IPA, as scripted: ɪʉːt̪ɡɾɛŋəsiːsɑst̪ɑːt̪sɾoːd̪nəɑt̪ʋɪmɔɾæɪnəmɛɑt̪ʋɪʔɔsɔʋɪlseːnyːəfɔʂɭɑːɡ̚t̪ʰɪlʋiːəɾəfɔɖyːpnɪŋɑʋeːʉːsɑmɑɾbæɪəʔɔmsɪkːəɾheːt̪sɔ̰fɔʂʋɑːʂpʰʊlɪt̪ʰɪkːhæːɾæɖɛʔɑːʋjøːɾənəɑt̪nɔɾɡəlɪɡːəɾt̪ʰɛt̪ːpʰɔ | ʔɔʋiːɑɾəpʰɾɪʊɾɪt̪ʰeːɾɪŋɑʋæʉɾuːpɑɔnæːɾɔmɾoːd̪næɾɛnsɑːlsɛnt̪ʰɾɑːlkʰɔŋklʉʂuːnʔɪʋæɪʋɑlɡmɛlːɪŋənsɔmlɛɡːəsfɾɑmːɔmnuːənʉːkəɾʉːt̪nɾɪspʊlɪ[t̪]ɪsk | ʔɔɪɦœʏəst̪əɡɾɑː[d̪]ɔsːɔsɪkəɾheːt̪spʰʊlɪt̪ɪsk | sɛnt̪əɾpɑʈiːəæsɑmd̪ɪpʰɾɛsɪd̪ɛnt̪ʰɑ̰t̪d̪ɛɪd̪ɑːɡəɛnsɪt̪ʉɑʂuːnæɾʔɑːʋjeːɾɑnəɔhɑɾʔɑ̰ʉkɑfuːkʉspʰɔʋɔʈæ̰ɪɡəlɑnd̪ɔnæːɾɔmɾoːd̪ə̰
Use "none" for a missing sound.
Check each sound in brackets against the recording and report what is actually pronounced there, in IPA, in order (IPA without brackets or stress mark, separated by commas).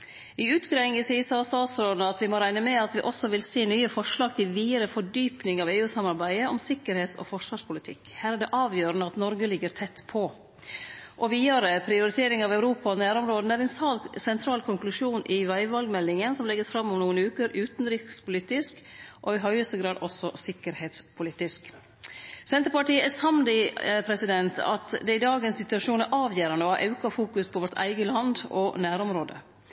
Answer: t̪, d̪